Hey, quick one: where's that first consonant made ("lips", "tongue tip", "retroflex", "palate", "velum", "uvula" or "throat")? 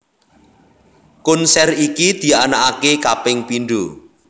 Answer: velum